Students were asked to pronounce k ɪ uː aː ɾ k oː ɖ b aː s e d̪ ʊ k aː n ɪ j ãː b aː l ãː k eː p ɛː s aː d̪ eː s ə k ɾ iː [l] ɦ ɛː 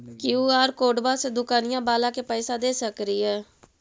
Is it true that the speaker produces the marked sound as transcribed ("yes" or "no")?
no